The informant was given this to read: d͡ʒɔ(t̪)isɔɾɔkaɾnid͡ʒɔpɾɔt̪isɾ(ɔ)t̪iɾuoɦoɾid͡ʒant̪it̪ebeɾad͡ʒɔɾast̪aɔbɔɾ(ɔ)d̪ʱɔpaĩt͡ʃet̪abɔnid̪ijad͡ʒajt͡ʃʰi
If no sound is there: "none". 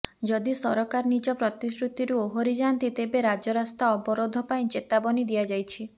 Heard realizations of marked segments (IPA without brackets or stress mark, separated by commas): d̪, u, o